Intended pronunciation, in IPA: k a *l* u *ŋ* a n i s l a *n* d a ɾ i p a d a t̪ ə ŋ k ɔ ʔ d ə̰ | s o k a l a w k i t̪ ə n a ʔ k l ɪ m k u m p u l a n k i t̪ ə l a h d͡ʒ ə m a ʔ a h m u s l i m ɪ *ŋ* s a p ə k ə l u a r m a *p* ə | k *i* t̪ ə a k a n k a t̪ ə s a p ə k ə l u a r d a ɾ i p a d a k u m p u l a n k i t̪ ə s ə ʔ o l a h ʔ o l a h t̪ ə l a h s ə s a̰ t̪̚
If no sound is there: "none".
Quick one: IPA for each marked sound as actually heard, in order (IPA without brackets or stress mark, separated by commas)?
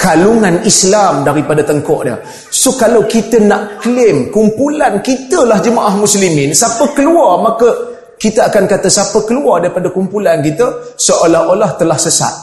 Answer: l, ŋ, m, n, k, i